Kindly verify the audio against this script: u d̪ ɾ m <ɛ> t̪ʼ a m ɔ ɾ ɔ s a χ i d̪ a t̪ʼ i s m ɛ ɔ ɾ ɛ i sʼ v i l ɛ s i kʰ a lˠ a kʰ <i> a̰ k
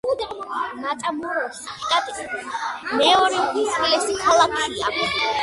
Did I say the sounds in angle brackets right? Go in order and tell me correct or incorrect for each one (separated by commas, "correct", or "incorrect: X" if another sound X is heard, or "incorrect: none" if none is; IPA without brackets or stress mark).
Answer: incorrect: a, correct